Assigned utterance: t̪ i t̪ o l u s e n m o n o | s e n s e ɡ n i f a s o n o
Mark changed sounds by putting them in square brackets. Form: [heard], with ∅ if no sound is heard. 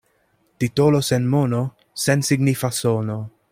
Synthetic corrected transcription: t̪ i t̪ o l [o] s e n m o n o | s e n s [i] ɡ n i f a s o n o